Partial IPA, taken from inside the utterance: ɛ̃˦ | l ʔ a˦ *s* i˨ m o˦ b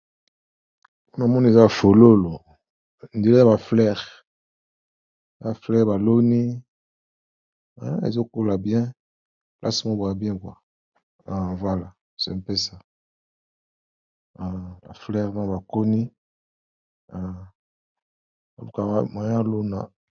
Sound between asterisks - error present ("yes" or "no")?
no